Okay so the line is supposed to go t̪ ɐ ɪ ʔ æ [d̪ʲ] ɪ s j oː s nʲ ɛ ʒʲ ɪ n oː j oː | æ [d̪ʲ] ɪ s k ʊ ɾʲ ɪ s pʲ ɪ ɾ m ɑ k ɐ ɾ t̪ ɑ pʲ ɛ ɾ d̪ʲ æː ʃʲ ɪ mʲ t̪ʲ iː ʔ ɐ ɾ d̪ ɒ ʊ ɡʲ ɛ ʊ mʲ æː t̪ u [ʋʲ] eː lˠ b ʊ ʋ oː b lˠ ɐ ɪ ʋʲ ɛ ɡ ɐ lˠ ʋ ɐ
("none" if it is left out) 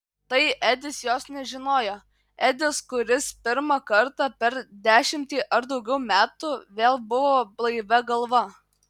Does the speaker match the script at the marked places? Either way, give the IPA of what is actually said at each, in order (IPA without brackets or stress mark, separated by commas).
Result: d̪ʲ, d̪ʲ, ʋʲ